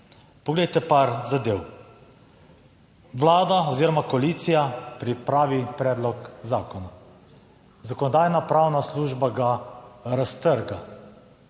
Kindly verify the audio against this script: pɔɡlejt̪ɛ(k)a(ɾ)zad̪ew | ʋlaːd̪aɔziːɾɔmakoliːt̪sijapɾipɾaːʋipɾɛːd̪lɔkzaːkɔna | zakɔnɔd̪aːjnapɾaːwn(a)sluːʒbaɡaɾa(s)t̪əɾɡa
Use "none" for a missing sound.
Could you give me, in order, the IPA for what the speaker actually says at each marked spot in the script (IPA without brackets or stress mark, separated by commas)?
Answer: p, ɾ, a, s